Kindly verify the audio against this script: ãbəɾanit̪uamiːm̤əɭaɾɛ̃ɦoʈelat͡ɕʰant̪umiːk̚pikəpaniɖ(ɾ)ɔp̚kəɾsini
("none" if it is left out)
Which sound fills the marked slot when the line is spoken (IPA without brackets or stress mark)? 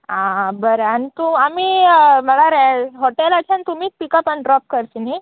ɾ